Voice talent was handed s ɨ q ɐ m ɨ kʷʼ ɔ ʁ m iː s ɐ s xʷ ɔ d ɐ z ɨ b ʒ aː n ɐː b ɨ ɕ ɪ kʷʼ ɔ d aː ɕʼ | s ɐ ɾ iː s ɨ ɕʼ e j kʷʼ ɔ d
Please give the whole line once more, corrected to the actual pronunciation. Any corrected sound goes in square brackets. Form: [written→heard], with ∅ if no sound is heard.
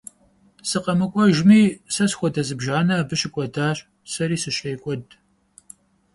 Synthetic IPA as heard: s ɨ q ɐ m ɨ kʷʼ ɔ [ʁ→ʒ] m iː s ɐ s xʷ ɔ d ɐ z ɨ b ʒ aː n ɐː b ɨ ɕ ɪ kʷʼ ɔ d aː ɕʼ | s ɐ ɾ iː s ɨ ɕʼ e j kʷʼ ɔ d